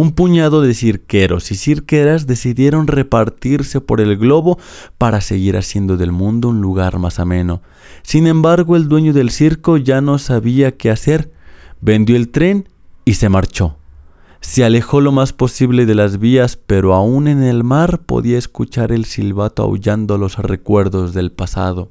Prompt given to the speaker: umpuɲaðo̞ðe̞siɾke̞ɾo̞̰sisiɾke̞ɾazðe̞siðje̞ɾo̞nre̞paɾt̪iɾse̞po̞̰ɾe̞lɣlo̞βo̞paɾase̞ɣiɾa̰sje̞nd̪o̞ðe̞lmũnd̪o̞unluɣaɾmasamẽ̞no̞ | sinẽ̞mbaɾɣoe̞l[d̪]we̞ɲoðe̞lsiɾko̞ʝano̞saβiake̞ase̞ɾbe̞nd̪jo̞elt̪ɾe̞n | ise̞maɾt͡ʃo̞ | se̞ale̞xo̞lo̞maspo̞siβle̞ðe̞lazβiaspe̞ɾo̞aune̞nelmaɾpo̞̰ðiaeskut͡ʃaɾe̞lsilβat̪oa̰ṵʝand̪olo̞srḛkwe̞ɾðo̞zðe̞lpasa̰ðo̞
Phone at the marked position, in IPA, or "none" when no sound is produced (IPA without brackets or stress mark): d̪